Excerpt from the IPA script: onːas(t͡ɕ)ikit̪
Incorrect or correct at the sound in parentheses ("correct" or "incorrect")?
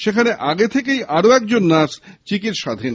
correct